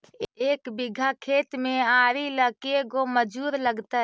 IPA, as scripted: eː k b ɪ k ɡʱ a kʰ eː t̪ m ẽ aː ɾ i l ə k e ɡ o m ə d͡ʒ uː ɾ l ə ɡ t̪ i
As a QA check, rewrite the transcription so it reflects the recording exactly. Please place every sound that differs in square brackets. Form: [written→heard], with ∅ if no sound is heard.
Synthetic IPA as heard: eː k b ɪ [k→∅] ɡʱ a kʰ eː t̪ m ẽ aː ɾ i l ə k e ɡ o m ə d͡ʒ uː ɾ l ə ɡ t̪ [i→a]

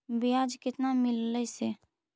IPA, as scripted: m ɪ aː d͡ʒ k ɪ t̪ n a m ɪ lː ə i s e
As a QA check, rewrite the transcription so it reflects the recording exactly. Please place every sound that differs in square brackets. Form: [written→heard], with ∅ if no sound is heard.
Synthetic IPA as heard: [m→b] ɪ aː d͡ʒ k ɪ t̪ n a m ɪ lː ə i s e

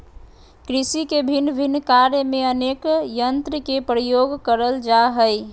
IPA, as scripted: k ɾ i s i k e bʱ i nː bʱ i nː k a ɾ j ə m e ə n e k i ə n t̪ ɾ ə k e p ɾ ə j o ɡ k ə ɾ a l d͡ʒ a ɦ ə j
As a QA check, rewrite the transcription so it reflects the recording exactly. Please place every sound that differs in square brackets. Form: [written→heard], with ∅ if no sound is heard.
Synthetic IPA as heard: k ɾ i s i k e bʱ i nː bʱ i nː k a ɾ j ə m e ə n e k [i→j] ə n t̪ ɾ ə k e p ɾ ə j o ɡ k ə ɾ [a→ə] l d͡ʒ a ɦ ə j

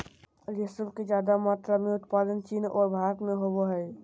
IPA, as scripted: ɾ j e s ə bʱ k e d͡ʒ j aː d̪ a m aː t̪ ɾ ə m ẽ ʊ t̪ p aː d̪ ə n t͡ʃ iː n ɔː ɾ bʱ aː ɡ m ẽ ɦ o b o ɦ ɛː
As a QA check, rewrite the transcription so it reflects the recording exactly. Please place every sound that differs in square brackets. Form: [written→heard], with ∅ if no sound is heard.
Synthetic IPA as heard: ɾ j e s ə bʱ k e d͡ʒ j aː d̪ a m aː t̪ ɾ [ə→a] m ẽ ʊ t̪ p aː d̪ ə n t͡ʃ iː n ɔː ɾ bʱ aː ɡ m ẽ ɦ o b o ɦ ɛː

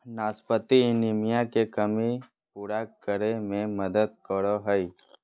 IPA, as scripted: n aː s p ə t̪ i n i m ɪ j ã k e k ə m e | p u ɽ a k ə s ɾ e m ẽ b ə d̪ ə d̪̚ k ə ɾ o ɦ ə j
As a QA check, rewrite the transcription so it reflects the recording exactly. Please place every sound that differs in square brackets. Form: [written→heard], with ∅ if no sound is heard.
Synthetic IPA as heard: n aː s p ə t̪ i n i m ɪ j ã k e k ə m [e→i] | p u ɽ a k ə [s→∅] ɾ e m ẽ [b→m] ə d̪ ə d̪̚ k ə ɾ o ɦ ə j

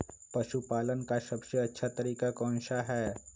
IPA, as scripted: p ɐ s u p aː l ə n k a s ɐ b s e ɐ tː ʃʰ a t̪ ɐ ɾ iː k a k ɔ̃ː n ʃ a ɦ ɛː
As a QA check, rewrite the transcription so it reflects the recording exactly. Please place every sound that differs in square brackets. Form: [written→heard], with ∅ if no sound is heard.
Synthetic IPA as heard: p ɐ [s→ʃ] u p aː l ə n k a s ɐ b s e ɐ tː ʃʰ a t̪ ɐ ɾ iː k a k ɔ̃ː n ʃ a ɦ ɛː

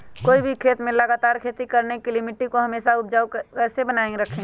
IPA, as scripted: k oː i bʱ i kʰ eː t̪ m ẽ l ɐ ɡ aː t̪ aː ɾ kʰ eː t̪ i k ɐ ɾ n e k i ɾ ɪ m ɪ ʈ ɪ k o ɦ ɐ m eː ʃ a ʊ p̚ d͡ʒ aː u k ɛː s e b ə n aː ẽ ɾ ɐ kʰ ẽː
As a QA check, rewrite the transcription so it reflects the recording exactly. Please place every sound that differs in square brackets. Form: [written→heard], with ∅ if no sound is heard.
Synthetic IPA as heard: k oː i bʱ i kʰ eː t̪ m ẽ l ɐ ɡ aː t̪ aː ɾ kʰ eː t̪ i k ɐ ɾ n e k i [ɾ→l] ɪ m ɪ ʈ [ɪ→i] k o ɦ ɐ m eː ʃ a ʊ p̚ d͡ʒ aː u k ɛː s e b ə n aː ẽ ɾ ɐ kʰ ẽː

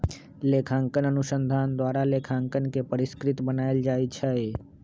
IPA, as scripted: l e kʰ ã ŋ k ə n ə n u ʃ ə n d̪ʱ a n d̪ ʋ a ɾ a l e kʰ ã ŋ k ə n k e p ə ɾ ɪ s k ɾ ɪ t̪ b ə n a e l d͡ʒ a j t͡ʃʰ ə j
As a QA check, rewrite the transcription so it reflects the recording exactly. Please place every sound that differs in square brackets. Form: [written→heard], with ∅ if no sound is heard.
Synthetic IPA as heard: l e kʰ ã ŋ k ə n ə n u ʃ ə n d̪ʱ a n d̪ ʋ a ɾ a l e kʰ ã ŋ k ə n k e p ə ɾ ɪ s k ɾ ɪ t̪ b ə n a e l d͡ʒ a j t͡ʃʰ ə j

